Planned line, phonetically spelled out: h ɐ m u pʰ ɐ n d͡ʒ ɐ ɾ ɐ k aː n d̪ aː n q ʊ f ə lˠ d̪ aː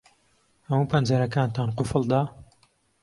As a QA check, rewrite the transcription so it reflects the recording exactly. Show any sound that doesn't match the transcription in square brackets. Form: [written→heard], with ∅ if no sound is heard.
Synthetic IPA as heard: h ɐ m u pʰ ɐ n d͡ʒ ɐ ɾ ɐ k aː n [d̪→t̪] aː n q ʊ f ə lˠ d̪ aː